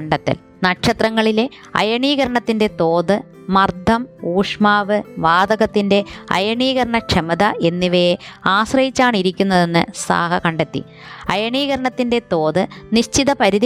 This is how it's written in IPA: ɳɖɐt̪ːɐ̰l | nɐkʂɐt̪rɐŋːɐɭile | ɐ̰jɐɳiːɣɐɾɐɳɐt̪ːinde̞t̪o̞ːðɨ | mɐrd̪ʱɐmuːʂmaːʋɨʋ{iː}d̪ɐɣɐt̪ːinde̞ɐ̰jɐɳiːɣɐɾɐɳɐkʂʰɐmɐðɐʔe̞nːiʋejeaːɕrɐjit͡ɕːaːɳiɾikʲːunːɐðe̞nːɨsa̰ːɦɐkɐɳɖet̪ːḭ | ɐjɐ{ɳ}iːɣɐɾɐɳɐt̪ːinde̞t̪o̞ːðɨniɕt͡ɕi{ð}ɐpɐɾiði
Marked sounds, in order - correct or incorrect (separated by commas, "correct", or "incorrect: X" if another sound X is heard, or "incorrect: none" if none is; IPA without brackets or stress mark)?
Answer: incorrect: aː, correct, correct